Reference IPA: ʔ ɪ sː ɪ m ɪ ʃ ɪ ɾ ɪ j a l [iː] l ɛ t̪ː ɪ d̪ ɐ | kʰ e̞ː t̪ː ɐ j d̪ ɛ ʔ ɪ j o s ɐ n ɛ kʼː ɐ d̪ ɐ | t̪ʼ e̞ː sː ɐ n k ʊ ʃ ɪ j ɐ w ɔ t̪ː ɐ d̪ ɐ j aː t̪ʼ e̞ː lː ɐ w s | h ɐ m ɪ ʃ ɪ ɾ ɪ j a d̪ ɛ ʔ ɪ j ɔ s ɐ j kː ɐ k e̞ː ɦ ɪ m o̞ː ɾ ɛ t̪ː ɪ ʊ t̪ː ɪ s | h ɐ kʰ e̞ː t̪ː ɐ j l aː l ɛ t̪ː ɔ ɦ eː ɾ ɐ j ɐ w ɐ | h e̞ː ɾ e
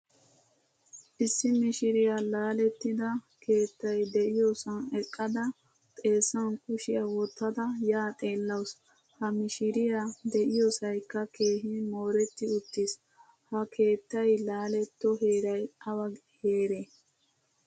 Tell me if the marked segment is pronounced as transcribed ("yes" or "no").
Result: no